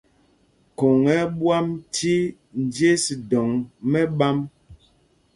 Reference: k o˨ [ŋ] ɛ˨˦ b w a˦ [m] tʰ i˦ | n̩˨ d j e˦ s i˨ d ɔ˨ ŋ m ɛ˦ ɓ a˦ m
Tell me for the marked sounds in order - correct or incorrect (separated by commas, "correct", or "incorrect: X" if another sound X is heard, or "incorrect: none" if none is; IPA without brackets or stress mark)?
correct, correct